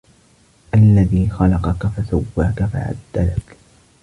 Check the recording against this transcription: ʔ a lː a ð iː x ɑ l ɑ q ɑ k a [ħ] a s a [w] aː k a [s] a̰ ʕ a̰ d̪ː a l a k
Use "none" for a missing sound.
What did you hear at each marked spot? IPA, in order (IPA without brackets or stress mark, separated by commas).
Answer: f, wː, f